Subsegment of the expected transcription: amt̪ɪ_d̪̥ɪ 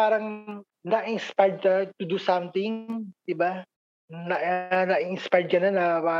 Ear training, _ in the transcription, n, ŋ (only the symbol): ŋ